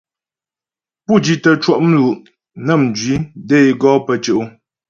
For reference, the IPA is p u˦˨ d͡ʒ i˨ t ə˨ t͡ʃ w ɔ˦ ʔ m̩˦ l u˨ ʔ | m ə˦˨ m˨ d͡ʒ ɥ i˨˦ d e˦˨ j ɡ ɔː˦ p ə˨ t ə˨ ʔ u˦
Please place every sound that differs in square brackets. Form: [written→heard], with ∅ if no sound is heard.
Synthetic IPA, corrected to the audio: p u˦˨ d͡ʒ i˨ t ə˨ t͡ʃ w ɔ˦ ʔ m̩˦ l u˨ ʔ | [m→n] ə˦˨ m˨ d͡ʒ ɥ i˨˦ d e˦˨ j ɡ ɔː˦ p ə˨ [t→t͡ʃ] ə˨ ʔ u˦